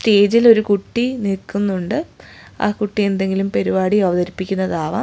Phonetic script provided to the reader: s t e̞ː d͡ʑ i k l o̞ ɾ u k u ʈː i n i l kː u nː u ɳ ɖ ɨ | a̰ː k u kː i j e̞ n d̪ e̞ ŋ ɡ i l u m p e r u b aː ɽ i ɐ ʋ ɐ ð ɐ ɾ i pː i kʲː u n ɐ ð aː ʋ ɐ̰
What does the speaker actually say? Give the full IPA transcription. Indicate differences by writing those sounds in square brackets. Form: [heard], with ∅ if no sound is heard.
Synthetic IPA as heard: s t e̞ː d͡ʑ i [∅] l o̞ ɾ u k u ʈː i n i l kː u nː u ɳ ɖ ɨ | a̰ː k u [ʈː] i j e̞ n d̪ e̞ ŋ ɡ i l u m p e [ɾ] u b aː ɽ i ɐ ʋ ɐ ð ɐ ɾ i pː i kʲː u [nː] ɐ ð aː ʋ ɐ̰